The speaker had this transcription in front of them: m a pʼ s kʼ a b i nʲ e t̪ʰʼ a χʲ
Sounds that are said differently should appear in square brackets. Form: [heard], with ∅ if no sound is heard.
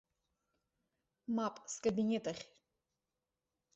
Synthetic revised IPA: m a pʼ s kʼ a b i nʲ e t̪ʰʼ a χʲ